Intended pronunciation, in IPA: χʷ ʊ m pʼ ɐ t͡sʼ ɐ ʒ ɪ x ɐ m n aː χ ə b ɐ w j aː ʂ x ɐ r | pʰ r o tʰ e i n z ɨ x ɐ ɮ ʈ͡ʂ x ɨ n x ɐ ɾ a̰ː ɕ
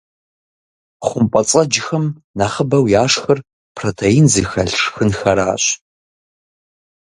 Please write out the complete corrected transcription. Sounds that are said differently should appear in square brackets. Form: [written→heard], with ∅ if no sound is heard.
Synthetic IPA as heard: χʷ ʊ m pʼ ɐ t͡sʼ ɐ [ʒ→d͡ʒ] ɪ x ɐ m n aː χ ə b ɐ w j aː ʂ x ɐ r | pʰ r o tʰ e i n z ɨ x ɐ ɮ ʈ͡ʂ x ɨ n x ɐ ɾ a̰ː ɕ

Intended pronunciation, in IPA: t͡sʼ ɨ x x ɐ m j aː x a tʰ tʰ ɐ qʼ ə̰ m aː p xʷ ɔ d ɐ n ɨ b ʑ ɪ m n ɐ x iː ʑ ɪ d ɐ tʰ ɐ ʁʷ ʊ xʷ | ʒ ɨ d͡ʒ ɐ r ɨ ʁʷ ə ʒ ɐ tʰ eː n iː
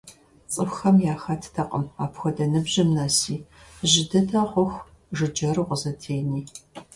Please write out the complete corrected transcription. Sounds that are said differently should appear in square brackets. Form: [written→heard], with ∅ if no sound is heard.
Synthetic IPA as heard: t͡sʼ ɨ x x ɐ m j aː x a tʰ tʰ ɐ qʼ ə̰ m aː p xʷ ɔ d ɐ n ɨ b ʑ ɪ m n ɐ [x→s] iː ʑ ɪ d ɐ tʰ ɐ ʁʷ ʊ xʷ | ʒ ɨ d͡ʒ ɐ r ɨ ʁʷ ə [ʒ→z] ɐ tʰ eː n iː

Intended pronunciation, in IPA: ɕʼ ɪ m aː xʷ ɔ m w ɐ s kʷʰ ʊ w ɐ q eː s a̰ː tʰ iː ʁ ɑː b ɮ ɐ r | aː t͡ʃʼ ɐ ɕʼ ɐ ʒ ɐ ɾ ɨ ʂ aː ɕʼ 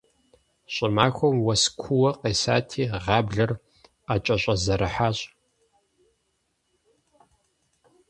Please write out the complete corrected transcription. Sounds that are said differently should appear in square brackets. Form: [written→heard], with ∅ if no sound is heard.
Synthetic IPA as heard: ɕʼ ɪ m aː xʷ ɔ m w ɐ s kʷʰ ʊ w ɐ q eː s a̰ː tʰ iː ʁ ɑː b ɮ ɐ r | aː t͡ʃʼ ɐ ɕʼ ɐ [ʒ→z] ɐ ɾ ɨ [ʂ→ħ] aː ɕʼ

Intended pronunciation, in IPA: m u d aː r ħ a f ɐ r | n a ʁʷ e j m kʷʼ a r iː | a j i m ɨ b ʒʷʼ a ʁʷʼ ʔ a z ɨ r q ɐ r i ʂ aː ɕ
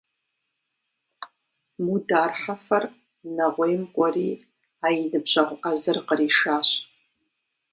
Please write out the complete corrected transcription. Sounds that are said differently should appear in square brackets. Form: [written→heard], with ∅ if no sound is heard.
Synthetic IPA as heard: m u d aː r ħ a f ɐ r | n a ʁʷ e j m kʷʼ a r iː | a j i [m→n] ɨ b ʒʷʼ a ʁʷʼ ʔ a z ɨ r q [ɐ→ə] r i ʂ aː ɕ

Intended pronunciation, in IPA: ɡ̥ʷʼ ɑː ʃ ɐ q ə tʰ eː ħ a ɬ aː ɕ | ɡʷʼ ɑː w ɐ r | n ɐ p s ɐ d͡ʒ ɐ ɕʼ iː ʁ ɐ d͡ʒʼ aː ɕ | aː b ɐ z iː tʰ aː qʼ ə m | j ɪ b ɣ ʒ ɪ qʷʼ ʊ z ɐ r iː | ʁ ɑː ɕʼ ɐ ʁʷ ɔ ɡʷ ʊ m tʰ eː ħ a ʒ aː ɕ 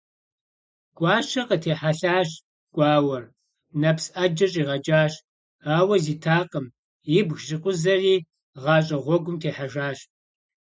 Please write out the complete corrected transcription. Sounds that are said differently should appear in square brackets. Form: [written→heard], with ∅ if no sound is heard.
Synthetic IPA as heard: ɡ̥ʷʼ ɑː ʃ ɐ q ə tʰ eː ħ a ɬ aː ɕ | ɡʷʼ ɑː w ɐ r | n ɐ p s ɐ d͡ʒ ɐ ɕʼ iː ʁ ɐ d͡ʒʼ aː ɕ | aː [b→w] ɐ z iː tʰ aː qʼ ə m | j ɪ b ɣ ʒ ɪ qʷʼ ʊ z ɐ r iː | ʁ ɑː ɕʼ ɐ ʁʷ ɔ ɡʷ ʊ m tʰ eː ħ a ʒ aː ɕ

